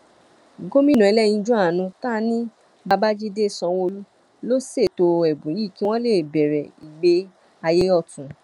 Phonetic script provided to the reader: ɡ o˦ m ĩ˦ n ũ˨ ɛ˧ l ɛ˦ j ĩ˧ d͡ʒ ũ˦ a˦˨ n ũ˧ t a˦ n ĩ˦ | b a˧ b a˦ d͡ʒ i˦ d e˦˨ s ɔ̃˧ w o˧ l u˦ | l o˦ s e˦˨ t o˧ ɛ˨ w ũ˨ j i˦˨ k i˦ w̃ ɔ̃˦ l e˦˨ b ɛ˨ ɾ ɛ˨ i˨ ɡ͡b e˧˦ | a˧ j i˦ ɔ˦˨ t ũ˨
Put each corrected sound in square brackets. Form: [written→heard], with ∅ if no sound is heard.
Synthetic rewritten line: ɡ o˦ m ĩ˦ n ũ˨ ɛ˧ l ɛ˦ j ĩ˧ d͡ʒ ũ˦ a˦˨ n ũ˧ t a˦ n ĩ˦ | b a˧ b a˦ d͡ʒ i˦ d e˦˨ s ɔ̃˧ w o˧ l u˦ | l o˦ s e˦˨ t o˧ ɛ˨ [w→b] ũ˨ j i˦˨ k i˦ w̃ ɔ̃˦ l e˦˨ b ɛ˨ ɾ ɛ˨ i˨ ɡ͡b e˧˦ | a˧ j [i˦→e˦] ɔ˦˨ t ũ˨